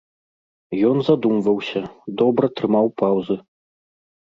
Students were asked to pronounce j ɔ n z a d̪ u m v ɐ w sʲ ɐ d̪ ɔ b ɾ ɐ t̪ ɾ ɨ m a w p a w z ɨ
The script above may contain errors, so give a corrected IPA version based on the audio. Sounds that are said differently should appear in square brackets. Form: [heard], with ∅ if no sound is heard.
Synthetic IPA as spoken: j ɔ n z a d̪ u m v ɐ w sʲ ɐ d̪ ɔ b ɾ ɐ t̪ ɾ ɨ m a w p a w z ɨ